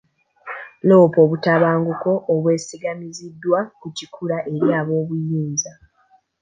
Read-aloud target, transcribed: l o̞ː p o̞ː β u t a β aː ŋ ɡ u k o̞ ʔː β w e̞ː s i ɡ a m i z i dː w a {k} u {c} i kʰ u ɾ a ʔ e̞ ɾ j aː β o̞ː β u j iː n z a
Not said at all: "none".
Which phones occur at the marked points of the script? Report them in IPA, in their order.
k, c

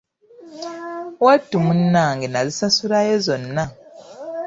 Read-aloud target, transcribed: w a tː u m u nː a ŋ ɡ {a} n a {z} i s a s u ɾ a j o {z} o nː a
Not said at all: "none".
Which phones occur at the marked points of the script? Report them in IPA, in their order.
e, z, z

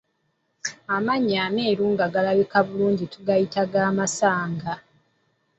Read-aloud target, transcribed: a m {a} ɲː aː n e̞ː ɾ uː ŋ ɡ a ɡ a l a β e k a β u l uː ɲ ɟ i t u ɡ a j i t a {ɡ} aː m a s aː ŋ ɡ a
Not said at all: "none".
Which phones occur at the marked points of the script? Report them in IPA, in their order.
a, ɡ

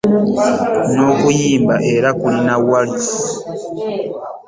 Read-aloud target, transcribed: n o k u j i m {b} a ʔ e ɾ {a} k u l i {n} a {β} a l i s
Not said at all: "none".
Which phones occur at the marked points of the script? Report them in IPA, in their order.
b, a, n, w

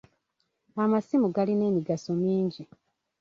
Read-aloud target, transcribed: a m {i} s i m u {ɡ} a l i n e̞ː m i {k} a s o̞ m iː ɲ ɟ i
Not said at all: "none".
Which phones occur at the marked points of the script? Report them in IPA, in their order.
a, ɡ, ɡ

